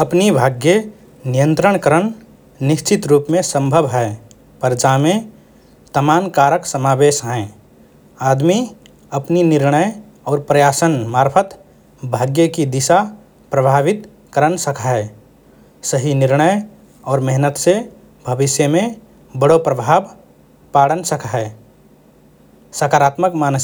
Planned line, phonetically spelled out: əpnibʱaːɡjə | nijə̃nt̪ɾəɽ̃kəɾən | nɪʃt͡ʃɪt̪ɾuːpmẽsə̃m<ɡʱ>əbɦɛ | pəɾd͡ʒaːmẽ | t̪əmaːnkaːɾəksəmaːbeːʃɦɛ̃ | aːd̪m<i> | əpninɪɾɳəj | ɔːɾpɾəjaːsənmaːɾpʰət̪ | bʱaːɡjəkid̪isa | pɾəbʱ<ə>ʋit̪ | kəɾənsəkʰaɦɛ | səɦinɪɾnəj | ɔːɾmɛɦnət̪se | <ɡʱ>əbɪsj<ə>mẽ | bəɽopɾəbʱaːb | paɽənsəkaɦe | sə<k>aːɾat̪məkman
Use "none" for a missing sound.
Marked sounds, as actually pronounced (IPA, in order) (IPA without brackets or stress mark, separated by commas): bʱ, i, a, bʱ, ə, k